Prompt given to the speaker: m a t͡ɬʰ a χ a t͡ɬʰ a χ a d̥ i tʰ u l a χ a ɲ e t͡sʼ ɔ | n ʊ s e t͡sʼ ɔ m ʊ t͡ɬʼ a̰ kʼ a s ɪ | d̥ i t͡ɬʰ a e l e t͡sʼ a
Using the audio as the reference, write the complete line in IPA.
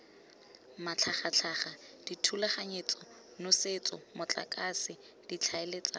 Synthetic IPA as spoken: m a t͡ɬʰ a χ a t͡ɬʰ a χ a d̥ i tʰ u l a χ a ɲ e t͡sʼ ɔ | n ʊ s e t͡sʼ ɔ m ʊ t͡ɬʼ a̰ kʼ a s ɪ | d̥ i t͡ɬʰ a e l e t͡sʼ a